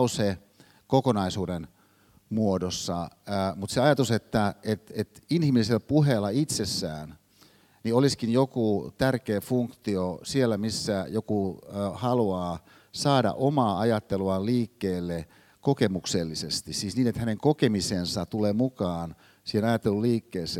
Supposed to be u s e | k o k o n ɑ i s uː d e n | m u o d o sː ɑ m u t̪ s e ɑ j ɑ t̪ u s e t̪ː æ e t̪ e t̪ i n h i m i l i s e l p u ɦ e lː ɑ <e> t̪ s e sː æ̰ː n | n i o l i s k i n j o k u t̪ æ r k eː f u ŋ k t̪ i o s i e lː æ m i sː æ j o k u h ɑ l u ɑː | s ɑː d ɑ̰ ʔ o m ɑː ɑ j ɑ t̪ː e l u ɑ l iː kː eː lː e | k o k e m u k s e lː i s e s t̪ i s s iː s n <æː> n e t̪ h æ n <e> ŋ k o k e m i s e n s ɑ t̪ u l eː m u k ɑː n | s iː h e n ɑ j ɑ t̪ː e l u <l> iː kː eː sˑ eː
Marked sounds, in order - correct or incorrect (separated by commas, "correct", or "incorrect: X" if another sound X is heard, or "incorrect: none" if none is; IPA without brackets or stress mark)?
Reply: incorrect: i, incorrect: iː, correct, correct